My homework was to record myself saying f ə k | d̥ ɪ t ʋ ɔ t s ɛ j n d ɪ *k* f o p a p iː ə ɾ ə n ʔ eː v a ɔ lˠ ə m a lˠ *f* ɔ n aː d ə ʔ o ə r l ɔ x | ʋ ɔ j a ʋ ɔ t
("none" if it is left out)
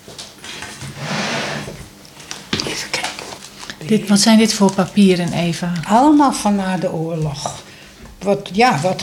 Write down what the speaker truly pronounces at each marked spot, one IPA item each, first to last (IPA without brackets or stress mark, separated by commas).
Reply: t, f